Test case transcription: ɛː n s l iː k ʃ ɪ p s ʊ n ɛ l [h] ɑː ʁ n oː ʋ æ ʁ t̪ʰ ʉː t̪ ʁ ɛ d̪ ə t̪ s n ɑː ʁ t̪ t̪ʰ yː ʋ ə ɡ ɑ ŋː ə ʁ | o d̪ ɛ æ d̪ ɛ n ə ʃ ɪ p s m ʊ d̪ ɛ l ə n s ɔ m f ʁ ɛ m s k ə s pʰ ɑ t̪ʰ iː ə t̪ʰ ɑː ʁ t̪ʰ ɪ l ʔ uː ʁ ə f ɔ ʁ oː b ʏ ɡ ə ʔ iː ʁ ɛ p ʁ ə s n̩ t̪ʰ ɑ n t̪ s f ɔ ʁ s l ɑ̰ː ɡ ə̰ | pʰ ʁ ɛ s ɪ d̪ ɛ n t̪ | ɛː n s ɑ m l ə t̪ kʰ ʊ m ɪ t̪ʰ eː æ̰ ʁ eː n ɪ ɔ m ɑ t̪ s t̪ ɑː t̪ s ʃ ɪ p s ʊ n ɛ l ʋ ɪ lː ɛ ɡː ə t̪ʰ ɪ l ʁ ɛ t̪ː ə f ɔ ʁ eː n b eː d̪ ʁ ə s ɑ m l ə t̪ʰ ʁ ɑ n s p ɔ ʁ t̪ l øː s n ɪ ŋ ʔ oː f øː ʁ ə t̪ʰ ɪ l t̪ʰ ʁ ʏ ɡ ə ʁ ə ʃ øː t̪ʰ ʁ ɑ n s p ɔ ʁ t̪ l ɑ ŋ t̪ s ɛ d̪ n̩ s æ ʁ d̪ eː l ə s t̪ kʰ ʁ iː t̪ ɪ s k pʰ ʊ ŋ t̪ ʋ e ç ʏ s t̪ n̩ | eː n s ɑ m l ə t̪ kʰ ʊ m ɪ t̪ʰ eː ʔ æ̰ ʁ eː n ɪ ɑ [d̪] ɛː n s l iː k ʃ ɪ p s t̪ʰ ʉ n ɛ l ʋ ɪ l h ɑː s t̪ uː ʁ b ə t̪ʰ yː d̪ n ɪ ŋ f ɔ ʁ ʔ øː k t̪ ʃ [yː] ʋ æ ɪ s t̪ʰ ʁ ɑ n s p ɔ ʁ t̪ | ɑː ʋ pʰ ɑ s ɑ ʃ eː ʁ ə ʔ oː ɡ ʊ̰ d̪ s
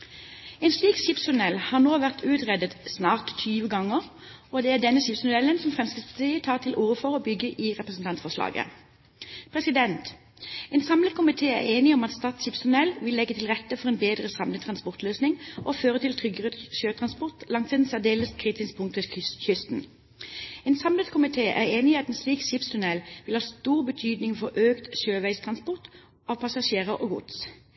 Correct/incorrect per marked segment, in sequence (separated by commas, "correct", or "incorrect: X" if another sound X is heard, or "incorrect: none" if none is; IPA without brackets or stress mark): correct, incorrect: t̪, incorrect: øː